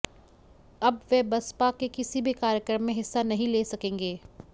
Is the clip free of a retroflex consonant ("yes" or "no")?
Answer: yes